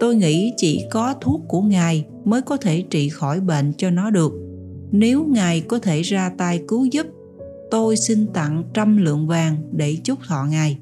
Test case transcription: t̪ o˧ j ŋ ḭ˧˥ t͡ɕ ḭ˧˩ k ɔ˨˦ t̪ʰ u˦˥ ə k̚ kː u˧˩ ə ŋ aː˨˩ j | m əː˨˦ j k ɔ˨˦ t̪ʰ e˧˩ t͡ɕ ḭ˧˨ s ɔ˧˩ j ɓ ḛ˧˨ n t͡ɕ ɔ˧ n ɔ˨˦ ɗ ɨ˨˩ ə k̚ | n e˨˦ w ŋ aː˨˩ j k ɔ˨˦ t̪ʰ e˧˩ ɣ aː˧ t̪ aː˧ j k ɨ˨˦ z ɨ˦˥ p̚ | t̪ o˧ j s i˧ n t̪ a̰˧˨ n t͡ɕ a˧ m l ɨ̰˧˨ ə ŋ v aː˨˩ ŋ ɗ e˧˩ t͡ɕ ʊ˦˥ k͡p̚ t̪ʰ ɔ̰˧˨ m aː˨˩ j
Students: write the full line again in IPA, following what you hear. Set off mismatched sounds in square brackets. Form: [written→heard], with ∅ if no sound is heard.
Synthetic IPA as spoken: t̪ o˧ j ŋ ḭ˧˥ t͡ɕ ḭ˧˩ k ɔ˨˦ t̪ʰ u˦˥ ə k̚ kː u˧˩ ə ŋ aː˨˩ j | m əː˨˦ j k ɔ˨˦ t̪ʰ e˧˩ t͡ɕ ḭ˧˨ [s→x] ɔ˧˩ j ɓ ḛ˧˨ n t͡ɕ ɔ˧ n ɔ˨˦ ɗ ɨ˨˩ ə k̚ | n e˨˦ w ŋ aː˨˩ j k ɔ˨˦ t̪ʰ e˧˩ [ɣ→z] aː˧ t̪ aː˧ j k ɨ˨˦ z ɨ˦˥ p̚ | t̪ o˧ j s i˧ n t̪ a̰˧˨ [n→ŋ] t͡ɕ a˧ m l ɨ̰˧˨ ə ŋ v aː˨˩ ŋ ɗ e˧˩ t͡ɕ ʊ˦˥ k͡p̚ t̪ʰ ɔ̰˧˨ [m→ŋ] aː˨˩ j